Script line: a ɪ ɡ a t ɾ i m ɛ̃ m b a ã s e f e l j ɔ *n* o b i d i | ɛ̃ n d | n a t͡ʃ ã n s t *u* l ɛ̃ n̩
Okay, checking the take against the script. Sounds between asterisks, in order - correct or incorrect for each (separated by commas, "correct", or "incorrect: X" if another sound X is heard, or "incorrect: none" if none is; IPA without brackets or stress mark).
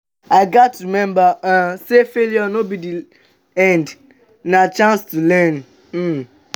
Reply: correct, correct